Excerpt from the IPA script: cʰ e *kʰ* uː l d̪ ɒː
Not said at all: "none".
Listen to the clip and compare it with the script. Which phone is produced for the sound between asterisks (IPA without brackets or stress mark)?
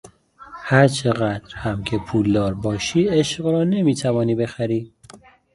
pʰ